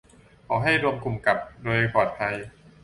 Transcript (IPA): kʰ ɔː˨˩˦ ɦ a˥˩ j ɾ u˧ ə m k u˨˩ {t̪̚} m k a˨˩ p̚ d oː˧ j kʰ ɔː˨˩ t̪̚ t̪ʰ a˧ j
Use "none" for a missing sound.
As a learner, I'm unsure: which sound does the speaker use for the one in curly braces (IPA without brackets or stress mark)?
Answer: none